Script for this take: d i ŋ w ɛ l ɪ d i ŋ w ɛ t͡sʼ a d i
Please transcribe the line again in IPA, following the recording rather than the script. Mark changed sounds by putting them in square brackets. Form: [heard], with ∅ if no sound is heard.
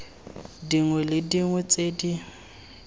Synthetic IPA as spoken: d i ŋ w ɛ l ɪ d i ŋ w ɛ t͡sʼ [e] d i